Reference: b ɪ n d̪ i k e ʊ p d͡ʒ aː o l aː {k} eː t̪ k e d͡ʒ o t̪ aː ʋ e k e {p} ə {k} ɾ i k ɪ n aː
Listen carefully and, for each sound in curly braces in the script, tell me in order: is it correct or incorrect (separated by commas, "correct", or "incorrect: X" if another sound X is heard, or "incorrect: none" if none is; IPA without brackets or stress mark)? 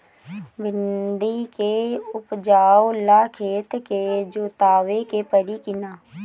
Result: incorrect: kʰ, correct, incorrect: none